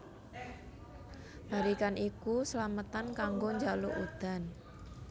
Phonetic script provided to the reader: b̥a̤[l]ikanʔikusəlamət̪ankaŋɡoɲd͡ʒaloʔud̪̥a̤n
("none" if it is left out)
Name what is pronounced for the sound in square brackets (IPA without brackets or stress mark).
ɾ